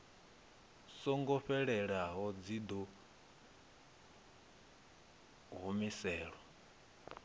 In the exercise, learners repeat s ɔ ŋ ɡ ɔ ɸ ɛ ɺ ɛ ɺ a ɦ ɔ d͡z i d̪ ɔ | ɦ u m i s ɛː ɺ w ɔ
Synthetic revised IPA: s ɔ ŋ ɡ ɔ ɸ ɛ ɺ ɛ ɺ a ɦ ɔ d͡z i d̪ ɔ | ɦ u m i s ɛː ɺ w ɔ